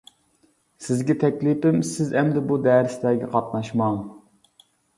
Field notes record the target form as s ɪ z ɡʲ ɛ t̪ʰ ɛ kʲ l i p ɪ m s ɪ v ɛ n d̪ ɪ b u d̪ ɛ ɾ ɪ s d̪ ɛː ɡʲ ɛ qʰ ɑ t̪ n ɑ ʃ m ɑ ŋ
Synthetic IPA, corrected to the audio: s ɪ z ɡʲ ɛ t̪ʰ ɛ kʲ l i p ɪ m s ɪ z ɛ m d̪ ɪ b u d̪ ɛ ɾ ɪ s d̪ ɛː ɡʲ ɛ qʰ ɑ t̪ n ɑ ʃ m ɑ ŋ